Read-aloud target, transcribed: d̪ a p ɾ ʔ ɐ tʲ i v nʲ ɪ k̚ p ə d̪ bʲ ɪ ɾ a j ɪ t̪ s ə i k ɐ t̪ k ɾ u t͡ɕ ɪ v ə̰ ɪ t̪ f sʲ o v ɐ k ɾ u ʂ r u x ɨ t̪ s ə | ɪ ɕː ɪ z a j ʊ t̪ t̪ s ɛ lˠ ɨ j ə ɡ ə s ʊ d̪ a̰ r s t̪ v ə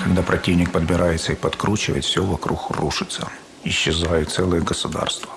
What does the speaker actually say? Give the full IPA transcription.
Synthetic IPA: d̪ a p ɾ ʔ ɐ tʲ i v nʲ ɪ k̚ p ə d̪ bʲ ɪ ɾ a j ɪ t̪ s ə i p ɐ t̪ k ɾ u t͡ɕ ɪ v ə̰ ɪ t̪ f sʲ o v ɐ k ɾ u x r u ʂ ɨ t̪ s ə | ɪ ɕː ɪ z a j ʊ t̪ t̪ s ɛ lˠ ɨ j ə ɡ ə s ʊ d̪ a̰ r s t̪ v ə

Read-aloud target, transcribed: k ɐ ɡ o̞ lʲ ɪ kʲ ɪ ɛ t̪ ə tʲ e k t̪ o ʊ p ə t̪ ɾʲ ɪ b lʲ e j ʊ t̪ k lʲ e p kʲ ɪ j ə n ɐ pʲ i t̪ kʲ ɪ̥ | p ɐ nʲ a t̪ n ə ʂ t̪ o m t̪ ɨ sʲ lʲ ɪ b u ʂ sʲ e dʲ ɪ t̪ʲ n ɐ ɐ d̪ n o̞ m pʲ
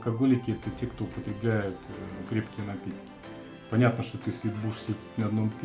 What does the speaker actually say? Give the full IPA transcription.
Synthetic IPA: k ɐ ɡ o̞ lʲ ɪ kʲ ɪ ɛ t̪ ə tʲ e k t̪ o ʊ p ə t̪ ɾʲ ɪ b lʲ æ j ʊ t̪ k ɾʲ e p kʲ ɪ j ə n ɐ pʲ i t̪ kʲ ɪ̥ | p ɐ nʲ a t̪ n ə ʂ t̪ o t̪ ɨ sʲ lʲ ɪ b u ʂ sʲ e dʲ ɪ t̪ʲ n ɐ ɐ d̪ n o̞ m pʲ

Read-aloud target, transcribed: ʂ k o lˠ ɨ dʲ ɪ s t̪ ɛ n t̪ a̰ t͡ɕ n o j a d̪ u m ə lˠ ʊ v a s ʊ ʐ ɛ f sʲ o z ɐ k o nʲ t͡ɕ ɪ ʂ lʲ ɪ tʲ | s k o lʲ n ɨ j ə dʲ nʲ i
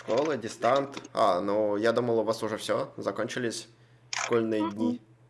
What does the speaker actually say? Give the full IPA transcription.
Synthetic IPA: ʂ k o lˠ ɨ dʲ ɪ s t̪ a n t̪ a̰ n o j a d̪ u m ə lˠ ʊ v a s ʊ ʐ ɛ f sʲ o z ɐ k o nʲ t͡ɕ ɪ lʲ ɪ sʲ | ʂ k o lʲ n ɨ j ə dʲ nʲ i

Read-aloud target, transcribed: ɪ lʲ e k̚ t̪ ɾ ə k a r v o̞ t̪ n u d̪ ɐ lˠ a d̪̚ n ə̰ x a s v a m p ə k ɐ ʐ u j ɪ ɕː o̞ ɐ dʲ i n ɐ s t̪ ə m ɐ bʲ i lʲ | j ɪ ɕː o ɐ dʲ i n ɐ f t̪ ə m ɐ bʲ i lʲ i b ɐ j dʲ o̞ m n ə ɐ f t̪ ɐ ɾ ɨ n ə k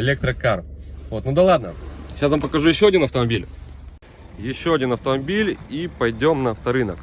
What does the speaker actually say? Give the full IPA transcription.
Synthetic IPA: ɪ lʲ e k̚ t̪ ɾ ə k a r v o̞ t̪ n u d̪ ɐ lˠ a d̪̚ n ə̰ ɕ a s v a m p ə k ɐ ʐ u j ɪ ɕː o̞ ɐ dʲ i n ɐ f t̪ ə m ɐ bʲ i lʲ | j ɪ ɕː o ɐ dʲ i n ɐ f t̪ ə m ɐ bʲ i lʲ i p ɐ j dʲ o̞ m n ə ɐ f t̪ ɐ ɾ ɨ n ə k

